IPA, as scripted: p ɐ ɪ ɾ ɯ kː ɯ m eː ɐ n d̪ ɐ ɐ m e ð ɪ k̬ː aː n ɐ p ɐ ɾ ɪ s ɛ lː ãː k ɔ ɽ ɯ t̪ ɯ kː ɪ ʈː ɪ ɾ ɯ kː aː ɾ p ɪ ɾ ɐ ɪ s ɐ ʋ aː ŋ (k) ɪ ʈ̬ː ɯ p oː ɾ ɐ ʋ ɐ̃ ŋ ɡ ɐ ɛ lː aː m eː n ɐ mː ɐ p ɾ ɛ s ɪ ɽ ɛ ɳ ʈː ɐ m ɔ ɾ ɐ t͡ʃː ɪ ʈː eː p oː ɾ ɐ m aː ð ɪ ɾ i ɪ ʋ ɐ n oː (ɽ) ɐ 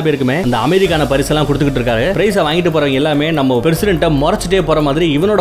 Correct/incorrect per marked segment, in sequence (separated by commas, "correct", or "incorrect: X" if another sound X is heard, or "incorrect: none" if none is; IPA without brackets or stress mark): incorrect: ɡ, correct